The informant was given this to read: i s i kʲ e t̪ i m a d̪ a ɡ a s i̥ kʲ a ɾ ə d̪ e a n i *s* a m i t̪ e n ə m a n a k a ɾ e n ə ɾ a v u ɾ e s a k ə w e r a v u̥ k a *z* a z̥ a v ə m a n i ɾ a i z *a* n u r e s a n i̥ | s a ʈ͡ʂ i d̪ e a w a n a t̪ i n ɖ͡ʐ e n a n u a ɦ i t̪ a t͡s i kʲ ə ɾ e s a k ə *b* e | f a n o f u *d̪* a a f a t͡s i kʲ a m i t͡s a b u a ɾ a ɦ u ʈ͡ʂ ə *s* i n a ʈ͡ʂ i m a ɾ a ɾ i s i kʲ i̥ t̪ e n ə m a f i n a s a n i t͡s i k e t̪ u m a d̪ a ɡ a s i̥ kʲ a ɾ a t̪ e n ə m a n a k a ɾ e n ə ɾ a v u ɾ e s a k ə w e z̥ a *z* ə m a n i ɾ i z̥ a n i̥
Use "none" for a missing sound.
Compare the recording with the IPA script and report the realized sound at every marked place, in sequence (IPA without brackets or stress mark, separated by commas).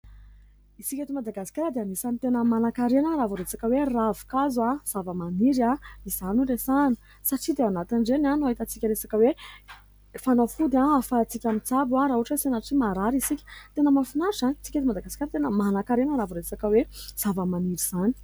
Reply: s, z, a, w, d̪, s, v